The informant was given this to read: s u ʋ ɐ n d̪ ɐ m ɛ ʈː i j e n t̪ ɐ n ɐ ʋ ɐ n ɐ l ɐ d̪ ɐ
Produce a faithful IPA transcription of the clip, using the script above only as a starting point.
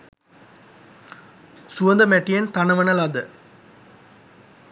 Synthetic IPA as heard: s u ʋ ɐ n d̪ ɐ m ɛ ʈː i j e n t̪ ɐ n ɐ ʋ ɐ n ɐ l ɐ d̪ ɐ